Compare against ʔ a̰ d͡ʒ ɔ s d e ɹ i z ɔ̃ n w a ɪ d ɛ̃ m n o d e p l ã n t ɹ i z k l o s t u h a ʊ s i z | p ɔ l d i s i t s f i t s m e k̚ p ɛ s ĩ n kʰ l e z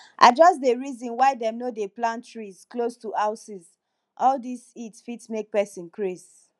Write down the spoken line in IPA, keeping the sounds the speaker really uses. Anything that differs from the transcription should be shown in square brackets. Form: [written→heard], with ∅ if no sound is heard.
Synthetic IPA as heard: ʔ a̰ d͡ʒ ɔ s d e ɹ i z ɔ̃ n w a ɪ d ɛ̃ m n o d e p l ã n t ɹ i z k l o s t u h a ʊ s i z | [p→ʔ] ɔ l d i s i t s f i t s m e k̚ p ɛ s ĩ n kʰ [l→ɹ] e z

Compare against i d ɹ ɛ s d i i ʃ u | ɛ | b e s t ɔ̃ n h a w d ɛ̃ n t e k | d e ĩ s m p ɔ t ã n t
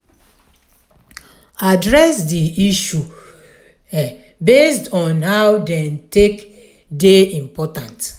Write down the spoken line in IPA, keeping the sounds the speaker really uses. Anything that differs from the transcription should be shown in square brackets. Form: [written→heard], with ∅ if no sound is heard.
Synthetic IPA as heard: [i→a] d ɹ ɛ s d i i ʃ u | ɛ | b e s t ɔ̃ n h a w d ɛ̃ n t e k | d e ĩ [s→∅] m p ɔ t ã n t

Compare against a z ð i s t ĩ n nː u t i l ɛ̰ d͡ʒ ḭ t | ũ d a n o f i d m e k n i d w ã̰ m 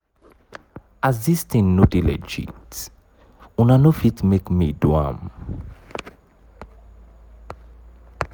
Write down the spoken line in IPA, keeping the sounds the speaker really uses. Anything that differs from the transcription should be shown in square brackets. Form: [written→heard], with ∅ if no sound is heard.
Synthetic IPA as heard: a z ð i s t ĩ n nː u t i l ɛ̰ d͡ʒ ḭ t | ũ [d→n] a n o f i [d→t] m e k [n→m] i d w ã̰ m

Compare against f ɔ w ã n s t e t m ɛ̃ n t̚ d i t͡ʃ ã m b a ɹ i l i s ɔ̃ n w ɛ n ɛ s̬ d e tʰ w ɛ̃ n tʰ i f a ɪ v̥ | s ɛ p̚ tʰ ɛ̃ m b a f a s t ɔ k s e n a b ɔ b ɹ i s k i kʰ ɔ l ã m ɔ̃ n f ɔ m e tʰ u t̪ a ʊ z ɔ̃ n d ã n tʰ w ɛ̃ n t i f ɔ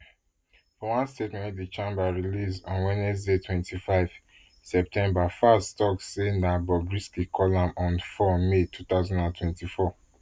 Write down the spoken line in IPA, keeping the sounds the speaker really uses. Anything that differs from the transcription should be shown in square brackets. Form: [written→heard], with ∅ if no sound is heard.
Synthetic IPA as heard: f ɔ w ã n s t e t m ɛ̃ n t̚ d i t͡ʃ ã m b a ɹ i l i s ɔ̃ n w ɛ n ɛ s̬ d e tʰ w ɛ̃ n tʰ i f a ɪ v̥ | s ɛ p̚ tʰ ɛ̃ m b a f a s t ɔ k s e n a b ɔ b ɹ i s k i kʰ ɔ l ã m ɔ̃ n f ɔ m e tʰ u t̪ a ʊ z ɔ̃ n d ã n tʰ w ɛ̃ n t i f ɔ

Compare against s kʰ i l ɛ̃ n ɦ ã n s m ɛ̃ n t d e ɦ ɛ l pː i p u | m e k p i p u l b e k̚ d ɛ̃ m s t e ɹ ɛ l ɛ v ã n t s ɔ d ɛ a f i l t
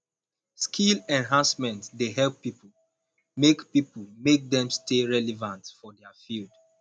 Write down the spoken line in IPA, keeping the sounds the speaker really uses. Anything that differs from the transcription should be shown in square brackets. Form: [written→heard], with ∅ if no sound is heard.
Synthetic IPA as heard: s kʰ i l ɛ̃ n ɦ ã n s m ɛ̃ n t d e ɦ ɛ l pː i p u | m e k p i p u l [b→m] e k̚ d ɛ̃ m s t e ɹ ɛ l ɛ v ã n t [s→f] ɔ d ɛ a f i l [t→d]

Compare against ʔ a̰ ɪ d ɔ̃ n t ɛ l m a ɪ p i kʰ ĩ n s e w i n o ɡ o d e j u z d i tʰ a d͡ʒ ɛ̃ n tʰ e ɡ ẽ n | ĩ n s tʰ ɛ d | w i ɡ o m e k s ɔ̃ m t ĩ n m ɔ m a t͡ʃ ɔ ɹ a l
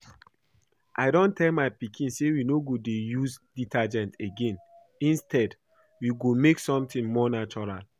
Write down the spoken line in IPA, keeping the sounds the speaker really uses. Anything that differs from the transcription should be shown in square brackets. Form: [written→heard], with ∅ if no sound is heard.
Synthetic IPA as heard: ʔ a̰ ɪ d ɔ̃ n t ɛ l m a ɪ p i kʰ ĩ n s e w i n o ɡ o d e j u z d i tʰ a d͡ʒ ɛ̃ n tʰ e ɡ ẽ n | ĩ n s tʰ ɛ d | w i ɡ o m e k s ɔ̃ m t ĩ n m ɔ [m→n] a t͡ʃ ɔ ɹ a l

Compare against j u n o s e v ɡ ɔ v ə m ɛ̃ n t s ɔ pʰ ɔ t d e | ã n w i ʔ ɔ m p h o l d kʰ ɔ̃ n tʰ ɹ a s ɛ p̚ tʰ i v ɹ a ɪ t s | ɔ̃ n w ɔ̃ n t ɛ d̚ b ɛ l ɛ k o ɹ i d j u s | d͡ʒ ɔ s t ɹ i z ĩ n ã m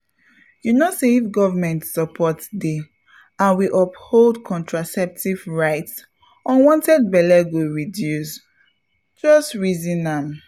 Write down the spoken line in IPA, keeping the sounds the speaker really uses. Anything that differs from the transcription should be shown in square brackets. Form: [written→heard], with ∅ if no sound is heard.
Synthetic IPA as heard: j u n o s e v ɡ ɔ v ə m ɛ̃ n t s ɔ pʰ ɔ t d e | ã n w i ʔ ɔ [m→∅] p h o l d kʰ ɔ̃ n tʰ ɹ a s ɛ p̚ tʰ i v ɹ a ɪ t s | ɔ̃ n w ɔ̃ n t ɛ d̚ b ɛ l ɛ [k→ɡ] o ɹ i d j u s | d͡ʒ ɔ s t ɹ i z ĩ n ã m

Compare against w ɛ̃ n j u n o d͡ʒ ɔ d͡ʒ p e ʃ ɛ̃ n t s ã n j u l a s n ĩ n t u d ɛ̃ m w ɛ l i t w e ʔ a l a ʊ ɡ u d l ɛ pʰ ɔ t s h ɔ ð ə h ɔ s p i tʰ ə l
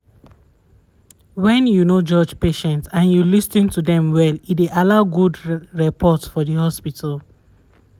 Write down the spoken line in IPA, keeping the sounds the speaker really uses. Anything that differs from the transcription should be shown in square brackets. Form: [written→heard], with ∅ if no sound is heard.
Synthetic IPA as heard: w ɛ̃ n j u n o d͡ʒ ɔ d͡ʒ p e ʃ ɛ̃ n t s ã n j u l [a→i] s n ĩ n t u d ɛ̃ m w ɛ l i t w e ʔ a l a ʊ ɡ u d [l→ɹ] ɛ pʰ ɔ t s [h→f] ɔ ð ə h ɔ s p i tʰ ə l

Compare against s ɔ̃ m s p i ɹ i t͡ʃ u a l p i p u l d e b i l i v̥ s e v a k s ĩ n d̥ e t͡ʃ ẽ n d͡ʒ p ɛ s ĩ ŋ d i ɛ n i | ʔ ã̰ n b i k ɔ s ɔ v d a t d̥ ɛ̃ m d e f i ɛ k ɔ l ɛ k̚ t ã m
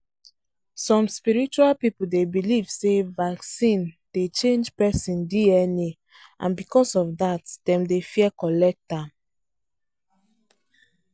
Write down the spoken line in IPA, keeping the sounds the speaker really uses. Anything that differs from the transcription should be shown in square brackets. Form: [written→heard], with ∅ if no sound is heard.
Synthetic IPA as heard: s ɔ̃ m s p i ɹ i t͡ʃ u a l p i p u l d e b i l i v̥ s e v a k s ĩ n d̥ e t͡ʃ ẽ n d͡ʒ p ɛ s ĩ [ŋ→n] d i ɛ n i | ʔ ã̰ n b i k ɔ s ɔ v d a t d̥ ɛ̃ m d e f i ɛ k ɔ l ɛ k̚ t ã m

